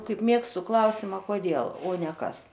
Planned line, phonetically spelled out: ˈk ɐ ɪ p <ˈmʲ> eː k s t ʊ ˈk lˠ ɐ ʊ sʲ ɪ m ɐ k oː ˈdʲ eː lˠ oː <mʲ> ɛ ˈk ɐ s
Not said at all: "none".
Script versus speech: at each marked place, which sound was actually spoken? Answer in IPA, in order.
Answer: mʲ, nʲ

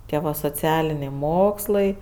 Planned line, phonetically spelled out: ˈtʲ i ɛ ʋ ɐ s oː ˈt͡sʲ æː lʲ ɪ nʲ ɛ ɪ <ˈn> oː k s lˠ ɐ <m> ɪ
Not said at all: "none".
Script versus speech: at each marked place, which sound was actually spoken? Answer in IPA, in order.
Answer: m, none

